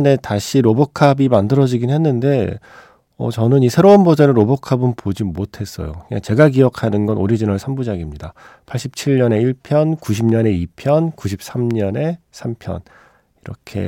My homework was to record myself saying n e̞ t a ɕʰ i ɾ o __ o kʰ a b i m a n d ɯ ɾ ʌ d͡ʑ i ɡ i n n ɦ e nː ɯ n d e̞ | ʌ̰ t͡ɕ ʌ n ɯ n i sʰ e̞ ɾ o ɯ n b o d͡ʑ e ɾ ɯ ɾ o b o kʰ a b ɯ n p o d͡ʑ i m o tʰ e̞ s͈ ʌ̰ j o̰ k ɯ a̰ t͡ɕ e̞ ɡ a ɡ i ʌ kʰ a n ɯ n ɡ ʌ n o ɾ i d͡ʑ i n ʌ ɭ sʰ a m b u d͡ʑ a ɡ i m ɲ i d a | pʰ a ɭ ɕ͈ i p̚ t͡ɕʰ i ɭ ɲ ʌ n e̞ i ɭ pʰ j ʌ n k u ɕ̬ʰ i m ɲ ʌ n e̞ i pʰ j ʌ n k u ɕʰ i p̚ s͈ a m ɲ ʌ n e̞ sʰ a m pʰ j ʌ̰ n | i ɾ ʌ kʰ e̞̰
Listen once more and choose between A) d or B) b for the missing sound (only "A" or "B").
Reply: B